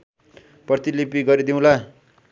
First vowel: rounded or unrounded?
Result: unrounded